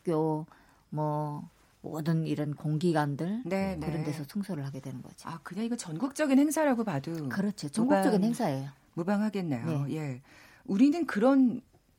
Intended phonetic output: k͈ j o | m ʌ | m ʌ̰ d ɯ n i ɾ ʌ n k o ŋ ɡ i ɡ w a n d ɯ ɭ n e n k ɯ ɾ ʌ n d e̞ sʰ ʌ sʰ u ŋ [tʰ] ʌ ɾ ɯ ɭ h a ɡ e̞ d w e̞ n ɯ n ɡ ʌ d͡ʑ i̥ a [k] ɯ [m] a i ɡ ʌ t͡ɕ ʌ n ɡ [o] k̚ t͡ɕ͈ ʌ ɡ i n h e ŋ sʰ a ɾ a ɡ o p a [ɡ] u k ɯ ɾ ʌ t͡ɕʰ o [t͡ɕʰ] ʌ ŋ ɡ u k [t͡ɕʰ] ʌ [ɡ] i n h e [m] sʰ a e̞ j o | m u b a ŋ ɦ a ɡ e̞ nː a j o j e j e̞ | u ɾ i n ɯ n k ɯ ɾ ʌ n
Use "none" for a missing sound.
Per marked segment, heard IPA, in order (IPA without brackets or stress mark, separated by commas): sʰ, k, ɲ, u, d, t͡ɕ, t͡ɕ, ɡ, ŋ